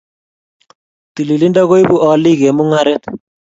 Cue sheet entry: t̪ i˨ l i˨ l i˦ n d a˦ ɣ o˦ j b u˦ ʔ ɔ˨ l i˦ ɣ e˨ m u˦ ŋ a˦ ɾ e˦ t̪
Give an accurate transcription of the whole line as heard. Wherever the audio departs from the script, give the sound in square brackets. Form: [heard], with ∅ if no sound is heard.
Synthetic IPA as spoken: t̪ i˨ l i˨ l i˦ n d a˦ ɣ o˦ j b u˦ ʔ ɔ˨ l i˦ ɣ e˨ m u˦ ŋ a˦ ɾ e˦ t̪